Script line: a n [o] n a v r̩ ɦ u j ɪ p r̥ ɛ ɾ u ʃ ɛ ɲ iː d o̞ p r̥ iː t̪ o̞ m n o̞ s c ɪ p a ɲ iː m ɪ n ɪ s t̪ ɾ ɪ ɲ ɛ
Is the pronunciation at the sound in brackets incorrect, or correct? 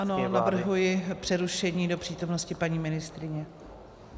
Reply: correct